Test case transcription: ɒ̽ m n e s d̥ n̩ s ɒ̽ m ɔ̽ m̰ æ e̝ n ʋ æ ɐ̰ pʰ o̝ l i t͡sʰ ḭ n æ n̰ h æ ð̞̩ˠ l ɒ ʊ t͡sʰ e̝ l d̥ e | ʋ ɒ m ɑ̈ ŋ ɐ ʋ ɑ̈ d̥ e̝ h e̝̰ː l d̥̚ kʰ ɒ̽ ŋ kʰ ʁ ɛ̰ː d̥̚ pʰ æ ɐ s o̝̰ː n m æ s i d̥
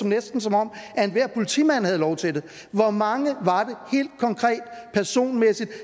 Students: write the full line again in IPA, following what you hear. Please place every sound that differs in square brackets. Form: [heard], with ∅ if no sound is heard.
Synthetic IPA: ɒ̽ m n e s d̥ n̩ s ɒ̽ m [ɒ̽] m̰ æ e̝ n ʋ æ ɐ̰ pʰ o̝ l i t͡sʰ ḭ [m] æ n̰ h æ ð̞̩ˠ l ɒ ʊ t͡sʰ e̝ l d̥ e | ʋ ɒ m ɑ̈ ŋ [ə] ʋ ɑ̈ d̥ e̝ h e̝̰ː l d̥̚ kʰ ɒ̽ ŋ kʰ ʁ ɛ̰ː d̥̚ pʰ æ ɐ s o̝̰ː n m [e] s i d̥